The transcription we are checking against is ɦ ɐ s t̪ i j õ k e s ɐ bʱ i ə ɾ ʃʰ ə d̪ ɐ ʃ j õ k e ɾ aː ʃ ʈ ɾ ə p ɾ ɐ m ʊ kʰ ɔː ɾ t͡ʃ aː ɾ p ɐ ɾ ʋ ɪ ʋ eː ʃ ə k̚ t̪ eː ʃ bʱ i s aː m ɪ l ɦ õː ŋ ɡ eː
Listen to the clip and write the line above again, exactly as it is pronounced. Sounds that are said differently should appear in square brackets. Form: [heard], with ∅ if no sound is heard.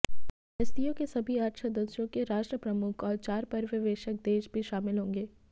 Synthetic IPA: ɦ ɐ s t̪ i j õ k e s ɐ bʱ i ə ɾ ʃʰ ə d̪ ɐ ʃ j õ k e ɾ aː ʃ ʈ ɾ ə p ɾ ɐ m ʊ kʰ ɔː ɾ t͡ʃ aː ɾ p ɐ ɾ ʋ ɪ ʋ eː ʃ ə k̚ [d̪] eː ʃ bʱ i [ʃ] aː m ɪ l ɦ õː ŋ ɡ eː